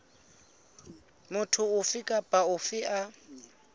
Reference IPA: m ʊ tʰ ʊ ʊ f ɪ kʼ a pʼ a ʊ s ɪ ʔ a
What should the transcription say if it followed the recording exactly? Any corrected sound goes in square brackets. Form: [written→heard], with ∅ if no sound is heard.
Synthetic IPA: m ʊ tʰ ʊ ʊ f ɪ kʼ a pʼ a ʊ [s→f] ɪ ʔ a